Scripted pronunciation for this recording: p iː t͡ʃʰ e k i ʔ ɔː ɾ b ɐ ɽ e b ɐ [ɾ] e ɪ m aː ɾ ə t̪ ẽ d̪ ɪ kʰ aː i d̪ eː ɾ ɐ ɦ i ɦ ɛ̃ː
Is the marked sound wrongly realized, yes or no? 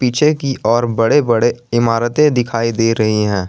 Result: yes